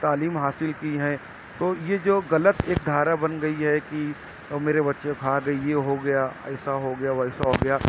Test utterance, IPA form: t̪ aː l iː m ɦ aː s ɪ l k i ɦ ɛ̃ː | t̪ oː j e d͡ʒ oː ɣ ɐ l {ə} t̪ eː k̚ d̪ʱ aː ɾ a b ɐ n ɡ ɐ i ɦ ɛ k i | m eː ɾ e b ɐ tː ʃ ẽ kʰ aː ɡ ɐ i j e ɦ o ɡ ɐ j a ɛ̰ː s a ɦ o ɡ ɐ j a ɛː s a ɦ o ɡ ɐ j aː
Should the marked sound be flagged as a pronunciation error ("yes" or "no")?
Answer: no